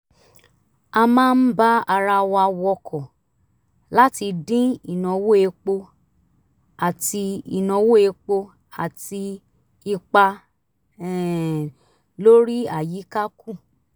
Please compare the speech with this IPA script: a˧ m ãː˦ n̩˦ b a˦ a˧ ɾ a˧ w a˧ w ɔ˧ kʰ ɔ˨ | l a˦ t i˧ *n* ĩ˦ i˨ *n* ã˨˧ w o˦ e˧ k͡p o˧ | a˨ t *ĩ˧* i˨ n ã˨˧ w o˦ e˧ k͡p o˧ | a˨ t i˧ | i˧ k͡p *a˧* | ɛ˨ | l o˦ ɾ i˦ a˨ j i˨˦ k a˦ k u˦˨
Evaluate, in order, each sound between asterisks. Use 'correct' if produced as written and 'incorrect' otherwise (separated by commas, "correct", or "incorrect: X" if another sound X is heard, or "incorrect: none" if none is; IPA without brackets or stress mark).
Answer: incorrect: d, correct, incorrect: i˧, correct